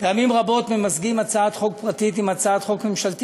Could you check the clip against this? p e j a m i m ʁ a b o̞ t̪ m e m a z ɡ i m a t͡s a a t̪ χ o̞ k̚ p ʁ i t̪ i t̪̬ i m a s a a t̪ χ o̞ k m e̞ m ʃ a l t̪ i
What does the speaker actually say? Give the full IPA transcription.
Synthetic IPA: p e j a m i m ʁ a b o̞ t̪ m e m a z ɡ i m a t͡s a a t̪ χ o̞ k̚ p ʁ a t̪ i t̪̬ i m a t͡s a a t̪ χ o̞ k m e̞ m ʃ a l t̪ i

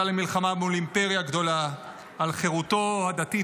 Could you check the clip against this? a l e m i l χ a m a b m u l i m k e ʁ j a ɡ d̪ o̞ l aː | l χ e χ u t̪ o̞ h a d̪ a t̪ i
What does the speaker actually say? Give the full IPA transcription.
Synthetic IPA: a l e m i l χ a m a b m u l i m p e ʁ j a ɡ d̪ o̞ l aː | l χ e ʁ u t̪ o̞ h a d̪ a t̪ i

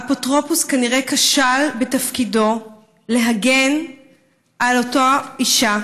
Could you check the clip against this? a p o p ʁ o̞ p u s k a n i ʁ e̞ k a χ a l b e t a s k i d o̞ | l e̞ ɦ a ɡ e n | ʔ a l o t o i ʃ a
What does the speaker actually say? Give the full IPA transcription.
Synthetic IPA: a p o t ʁ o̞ p u s k a n i ʁ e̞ k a ʃ a l b e t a f k i d o̞ | l e̞ ɦ a ɡ e n | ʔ a l o t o i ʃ a

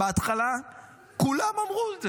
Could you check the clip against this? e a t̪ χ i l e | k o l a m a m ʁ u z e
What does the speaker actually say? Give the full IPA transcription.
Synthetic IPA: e a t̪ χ a l a | k u l a m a m ʁ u z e

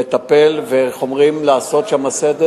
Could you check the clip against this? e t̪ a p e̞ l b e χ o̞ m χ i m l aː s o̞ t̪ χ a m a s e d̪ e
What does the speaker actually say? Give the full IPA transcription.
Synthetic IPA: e t̪ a p e̞ l v e χ o̞ m ʁ i m l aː s o̞ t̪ ʃ a m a s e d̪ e

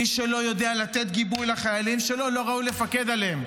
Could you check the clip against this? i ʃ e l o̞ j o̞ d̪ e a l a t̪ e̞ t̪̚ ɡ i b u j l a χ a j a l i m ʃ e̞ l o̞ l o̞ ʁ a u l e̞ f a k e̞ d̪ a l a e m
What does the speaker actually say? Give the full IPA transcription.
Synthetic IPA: i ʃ e l o̞ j o̞ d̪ e a l a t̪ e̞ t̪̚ ɡ i b u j l a χ a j a l i m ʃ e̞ l o̞ l o̞ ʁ a u l e̞ f a k e̞ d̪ a l e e m

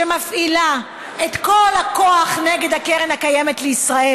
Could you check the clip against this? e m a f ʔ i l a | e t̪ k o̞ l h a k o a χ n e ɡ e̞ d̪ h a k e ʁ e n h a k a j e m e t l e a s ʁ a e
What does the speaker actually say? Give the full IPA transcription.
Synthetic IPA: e m a f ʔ i l a | e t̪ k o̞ l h a k o a χ n e ɡ e̞ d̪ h a k e ʁ e n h a k a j e m e t l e i s ʁ a e

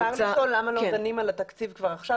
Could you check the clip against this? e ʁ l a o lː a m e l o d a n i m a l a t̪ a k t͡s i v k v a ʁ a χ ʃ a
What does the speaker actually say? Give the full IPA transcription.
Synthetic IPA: a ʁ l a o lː a m a l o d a n i m a l a t̪ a k t͡s i v k v a ʁ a χ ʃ a

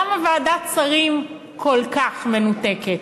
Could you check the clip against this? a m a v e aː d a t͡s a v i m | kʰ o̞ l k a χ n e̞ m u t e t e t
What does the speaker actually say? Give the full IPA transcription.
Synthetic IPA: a m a v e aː d a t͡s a ʁ i m | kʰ o̞ l k a χ m e̞ n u t e k e t

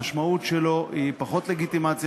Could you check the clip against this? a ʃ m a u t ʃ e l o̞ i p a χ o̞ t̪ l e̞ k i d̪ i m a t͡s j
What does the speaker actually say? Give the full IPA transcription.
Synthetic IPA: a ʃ m a u t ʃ e l o̞ i p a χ o̞ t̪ l e̞ ɡ i t̪ i m a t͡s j

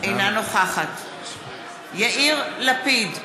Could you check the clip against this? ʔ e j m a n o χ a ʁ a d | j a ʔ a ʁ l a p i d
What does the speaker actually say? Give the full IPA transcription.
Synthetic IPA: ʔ e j n a n o χ a χ a t | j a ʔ i ʁ l a p i d

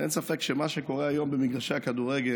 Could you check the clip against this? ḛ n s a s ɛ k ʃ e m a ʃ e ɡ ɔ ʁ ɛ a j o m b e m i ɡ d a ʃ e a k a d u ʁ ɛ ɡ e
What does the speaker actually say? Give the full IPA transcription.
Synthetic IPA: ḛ n s a f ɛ k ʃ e m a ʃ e k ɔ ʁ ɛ a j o m b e m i ɡ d a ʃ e a k a d u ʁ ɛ ɡ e

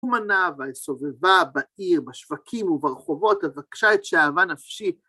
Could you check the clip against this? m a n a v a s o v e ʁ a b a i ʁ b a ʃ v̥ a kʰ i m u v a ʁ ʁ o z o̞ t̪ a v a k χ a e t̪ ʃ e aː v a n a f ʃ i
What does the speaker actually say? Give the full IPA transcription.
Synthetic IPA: m a n a v a s o v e v a b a i ʁ b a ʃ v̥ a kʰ i m u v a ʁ χ o v o̞ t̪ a v a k ʃ a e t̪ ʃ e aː v a n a f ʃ i

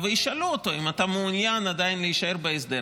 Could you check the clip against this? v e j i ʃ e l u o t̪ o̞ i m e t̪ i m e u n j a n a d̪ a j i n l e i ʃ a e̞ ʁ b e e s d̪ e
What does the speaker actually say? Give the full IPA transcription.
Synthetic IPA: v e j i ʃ a l u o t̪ o̞ i m a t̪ a m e u n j a n a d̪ a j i n l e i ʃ a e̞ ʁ b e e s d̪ e

